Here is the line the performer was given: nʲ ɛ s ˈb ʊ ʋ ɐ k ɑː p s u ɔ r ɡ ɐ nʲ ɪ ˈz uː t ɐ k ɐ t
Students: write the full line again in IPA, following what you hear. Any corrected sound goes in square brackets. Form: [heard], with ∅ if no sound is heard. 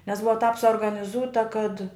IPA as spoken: nʲ ɛ s ˈb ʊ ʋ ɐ [t] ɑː p s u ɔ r ɡ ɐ nʲ ɪ ˈz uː t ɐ k ɐ t